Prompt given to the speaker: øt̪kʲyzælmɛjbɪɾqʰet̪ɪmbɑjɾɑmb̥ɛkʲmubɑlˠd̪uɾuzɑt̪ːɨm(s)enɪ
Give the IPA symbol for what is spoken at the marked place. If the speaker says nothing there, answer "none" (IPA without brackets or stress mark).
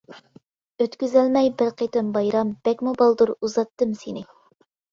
s